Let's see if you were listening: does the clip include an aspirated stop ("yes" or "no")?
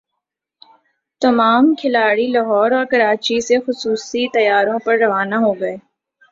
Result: yes